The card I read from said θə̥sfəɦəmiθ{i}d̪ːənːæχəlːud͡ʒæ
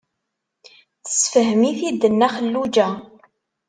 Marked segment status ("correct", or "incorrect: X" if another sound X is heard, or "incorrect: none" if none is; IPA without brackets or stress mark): correct